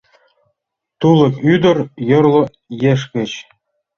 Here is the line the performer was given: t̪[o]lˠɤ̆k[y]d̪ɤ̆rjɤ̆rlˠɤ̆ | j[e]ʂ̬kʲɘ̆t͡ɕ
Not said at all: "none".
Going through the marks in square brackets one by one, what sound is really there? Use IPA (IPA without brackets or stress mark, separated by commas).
u, y, e